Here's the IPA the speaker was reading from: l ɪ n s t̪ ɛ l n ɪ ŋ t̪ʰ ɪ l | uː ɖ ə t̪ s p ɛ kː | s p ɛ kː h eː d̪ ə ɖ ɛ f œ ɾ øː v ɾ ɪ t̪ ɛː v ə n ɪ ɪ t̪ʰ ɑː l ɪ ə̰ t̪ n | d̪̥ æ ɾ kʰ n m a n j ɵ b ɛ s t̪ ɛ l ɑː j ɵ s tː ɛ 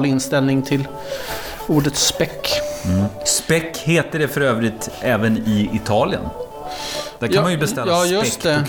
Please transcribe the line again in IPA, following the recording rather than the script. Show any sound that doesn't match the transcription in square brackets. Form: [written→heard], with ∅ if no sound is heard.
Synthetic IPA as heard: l ɪ n s t̪ ɛ l n ɪ ŋ t̪ʰ ɪ l | uː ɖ ə t̪ s p ɛ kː | s p ɛ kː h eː [d̪→t̪] ə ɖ ɛ f œ ɾ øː v ɾ ɪ t̪ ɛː v ə n ɪ ɪ t̪ʰ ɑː l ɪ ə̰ [t̪→∅] n | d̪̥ æ ɾ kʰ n m a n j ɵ b ɛ s t̪ ɛ l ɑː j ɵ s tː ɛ